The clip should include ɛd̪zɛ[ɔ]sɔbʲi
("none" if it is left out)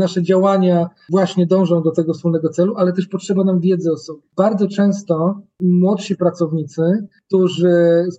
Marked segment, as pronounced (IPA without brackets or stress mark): ɔ